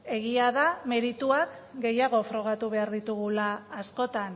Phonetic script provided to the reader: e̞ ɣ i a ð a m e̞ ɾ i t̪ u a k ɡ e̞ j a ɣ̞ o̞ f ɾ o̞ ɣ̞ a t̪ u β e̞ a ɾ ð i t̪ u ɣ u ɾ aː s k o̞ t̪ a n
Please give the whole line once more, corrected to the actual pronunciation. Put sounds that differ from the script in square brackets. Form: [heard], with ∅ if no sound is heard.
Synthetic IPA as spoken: e̞ ɣ i a ð a m e̞ ɾ i t̪ u a k ɡ e̞ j a ɣ̞ o̞ f ɾ o̞ ɣ̞ a t̪ u β e̞ a ɾ ð i t̪ u ɣ u [l] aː s k o̞ t̪ a n